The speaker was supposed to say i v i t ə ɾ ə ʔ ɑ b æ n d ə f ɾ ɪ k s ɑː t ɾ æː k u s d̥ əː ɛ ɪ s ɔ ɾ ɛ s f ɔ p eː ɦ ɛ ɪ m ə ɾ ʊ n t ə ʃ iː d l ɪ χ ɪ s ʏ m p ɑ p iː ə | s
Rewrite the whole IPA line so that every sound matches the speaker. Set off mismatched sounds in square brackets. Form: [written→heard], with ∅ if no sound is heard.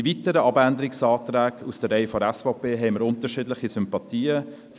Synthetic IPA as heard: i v i t ə ɾ ə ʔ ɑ b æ n d ə [f→∅] ɾ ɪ k s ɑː t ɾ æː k u s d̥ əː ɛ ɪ [s→f] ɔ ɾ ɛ s f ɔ p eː ɦ ɛ ɪ m ə ɾ ʊ n t ə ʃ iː d l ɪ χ [ɪ→i] s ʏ m p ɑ [p→t] iː ə | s